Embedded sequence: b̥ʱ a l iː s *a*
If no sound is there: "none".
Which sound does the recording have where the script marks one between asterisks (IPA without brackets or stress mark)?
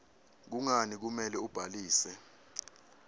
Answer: ɛ